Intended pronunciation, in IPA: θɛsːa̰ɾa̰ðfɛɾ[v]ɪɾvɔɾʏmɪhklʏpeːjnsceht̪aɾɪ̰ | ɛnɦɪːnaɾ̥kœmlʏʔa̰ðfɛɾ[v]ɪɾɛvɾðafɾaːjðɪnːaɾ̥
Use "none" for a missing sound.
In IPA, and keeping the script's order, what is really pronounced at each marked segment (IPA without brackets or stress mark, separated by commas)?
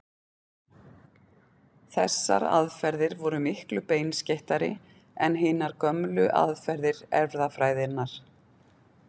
ð, ð